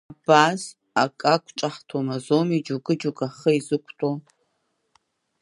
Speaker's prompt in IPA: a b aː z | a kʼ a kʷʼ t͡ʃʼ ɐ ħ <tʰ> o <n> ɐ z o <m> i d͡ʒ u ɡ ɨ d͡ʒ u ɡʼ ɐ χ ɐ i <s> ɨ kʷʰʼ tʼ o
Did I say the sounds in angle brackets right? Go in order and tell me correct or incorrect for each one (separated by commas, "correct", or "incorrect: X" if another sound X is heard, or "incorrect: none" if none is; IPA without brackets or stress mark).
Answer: correct, incorrect: m, correct, incorrect: z